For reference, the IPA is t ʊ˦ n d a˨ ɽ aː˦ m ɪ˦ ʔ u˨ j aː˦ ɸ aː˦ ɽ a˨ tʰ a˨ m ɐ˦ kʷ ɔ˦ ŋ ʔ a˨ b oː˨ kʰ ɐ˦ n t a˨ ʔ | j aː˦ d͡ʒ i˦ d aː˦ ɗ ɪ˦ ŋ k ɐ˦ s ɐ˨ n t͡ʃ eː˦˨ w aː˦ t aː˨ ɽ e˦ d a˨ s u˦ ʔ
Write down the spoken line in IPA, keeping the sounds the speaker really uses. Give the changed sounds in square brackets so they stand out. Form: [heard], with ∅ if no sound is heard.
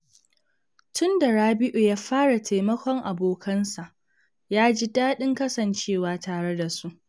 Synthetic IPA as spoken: t ʊ˦ n d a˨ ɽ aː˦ [b] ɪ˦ ʔ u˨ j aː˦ ɸ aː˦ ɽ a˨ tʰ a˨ m ɐ˦ kʷ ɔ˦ ŋ ʔ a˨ b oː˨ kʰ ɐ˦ n [s] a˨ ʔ | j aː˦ d͡ʒ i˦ d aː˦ ɗ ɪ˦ ŋ k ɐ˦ s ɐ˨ n t͡ʃ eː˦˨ w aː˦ t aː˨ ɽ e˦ d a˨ s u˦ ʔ

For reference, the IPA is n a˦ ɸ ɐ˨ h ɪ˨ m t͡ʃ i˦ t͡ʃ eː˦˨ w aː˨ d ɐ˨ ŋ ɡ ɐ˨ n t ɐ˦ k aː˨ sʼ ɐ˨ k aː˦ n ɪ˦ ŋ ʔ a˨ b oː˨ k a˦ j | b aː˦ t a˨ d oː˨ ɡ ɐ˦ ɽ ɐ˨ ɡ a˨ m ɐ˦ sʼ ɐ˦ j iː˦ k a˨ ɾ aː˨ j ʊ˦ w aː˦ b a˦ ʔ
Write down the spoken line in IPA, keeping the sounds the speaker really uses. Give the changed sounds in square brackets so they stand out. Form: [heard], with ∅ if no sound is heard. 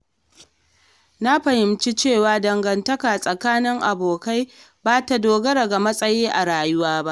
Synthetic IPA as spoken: n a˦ ɸ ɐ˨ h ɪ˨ m t͡ʃ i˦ t͡ʃ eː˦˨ w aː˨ d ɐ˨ ŋ ɡ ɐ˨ n t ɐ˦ k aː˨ sʼ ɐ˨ k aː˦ n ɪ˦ ŋ ʔ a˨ b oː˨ k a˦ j | b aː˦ t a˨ d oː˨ ɡ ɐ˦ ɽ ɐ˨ ɡ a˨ m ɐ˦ sʼ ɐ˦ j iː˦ [ʔ] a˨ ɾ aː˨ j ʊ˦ w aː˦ b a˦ ʔ

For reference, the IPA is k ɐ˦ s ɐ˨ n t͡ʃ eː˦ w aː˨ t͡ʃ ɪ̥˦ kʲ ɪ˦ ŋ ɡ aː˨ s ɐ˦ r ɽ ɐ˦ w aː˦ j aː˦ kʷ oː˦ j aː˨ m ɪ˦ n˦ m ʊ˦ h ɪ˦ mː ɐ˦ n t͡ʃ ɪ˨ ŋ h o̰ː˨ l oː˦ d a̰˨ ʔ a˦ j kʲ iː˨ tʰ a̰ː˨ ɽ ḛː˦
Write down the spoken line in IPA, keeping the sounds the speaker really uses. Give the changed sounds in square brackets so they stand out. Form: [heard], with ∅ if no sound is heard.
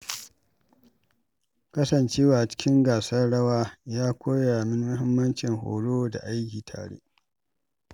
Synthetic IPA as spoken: k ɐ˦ s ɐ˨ n t͡ʃ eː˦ w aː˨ t͡ʃ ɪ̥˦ kʲ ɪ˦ ŋ ɡ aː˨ s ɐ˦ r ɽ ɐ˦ w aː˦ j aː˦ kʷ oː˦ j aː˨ m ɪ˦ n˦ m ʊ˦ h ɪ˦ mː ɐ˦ n t͡ʃ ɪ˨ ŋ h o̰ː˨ [ɽ] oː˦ d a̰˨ ʔ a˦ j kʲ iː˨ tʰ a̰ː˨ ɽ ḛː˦

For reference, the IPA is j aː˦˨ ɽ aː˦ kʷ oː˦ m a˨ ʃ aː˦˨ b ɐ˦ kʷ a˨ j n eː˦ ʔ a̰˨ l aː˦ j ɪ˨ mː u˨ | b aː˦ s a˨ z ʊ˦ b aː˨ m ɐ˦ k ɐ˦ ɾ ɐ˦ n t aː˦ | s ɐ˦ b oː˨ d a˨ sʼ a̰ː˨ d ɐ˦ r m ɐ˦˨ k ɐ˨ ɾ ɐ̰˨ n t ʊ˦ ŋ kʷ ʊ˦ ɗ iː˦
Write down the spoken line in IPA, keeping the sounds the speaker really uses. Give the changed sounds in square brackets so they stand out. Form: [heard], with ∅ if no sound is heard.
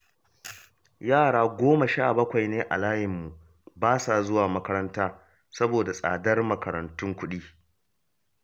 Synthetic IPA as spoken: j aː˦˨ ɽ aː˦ [ɡʷ] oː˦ m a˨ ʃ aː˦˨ b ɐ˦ kʷ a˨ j n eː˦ ʔ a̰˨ l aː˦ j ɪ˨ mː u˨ | b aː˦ s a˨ z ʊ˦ [w] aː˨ m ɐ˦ k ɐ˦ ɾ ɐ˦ n t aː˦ | s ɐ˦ b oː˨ d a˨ sʼ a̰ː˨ d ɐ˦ r m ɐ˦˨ k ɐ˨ ɾ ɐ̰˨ n t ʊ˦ ŋ kʷ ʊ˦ ɗ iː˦

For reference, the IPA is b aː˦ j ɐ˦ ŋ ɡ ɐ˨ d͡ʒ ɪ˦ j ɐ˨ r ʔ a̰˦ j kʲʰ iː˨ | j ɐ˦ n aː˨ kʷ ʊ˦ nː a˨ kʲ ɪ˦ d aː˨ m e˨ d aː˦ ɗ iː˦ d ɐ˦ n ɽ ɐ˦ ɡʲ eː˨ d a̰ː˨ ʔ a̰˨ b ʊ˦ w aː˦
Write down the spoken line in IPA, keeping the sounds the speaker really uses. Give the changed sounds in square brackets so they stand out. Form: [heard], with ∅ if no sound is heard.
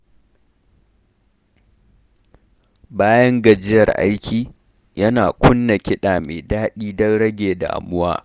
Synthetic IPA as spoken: b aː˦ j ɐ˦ ŋ ɡ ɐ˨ d͡ʒ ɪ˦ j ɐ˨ r ʔ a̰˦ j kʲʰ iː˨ | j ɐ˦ n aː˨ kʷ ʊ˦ nː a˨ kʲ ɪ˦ [ɗ] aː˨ m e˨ d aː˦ ɗ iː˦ d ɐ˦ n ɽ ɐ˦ ɡʲ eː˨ d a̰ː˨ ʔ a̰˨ [m] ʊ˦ w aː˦

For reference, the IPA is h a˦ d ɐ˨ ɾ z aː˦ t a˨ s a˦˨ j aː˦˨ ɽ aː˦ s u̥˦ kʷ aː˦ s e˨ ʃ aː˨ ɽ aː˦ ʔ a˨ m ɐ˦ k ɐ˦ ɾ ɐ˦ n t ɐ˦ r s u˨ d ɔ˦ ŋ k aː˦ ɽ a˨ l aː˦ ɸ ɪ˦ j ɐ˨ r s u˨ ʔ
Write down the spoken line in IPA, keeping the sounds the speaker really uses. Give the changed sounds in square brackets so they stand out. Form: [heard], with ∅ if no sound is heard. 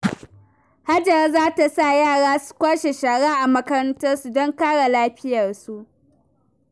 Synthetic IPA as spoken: h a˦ [d͡ʒ] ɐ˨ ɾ z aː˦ t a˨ s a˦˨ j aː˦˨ ɽ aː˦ s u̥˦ kʷ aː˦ [ʃ] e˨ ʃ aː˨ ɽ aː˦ ʔ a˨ m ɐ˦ k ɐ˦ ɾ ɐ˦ n t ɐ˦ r s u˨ d ɔ˦ ŋ k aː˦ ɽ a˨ l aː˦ ɸ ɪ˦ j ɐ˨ r s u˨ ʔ

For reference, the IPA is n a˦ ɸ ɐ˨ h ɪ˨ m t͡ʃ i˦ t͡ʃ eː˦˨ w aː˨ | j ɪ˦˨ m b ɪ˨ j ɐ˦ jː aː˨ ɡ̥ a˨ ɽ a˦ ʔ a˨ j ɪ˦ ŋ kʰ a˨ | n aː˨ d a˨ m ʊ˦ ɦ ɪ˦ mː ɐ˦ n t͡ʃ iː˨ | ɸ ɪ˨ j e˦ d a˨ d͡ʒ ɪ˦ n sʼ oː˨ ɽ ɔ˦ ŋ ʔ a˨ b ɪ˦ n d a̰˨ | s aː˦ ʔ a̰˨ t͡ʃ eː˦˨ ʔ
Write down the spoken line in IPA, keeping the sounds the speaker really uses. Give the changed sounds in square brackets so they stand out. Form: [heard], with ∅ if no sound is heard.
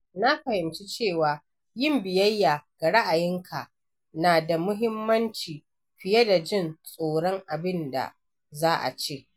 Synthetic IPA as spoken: n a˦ ɸ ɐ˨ h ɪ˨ m t͡ʃ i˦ t͡ʃ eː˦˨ w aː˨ | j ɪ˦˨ m b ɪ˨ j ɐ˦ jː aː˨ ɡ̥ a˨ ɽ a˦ ʔ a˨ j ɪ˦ ŋ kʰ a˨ | n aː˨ d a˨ m ʊ˦ ɦ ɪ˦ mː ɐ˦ n t͡ʃ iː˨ | ɸ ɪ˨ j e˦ d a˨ d͡ʒ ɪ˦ n sʼ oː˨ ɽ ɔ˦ ŋ ʔ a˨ b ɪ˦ n d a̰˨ | [z] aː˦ ʔ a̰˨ t͡ʃ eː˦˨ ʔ

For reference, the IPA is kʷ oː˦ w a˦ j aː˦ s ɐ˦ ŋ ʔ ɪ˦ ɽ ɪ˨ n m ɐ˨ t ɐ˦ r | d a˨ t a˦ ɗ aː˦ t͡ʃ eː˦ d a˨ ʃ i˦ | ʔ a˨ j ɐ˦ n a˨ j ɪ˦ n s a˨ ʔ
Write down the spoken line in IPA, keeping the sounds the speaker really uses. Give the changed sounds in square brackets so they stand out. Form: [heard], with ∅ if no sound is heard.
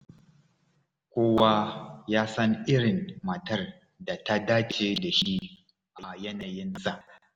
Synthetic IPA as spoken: kʷ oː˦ w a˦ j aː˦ s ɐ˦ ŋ ʔ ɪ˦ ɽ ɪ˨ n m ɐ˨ t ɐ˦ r | d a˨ t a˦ [d] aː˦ t͡ʃ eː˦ d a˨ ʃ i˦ | ʔ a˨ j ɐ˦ n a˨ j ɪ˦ n s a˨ ʔ

